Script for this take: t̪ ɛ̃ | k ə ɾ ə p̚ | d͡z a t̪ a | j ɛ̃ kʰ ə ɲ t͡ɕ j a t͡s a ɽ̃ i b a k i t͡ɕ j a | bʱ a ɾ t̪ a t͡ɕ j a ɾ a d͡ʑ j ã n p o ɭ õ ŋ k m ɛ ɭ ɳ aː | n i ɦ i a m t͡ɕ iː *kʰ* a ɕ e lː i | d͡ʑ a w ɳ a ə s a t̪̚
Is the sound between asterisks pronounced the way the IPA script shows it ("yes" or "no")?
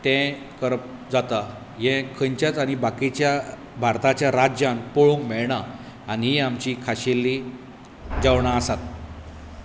yes